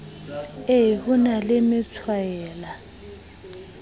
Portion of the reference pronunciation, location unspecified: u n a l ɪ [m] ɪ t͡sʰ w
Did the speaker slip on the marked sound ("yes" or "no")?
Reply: no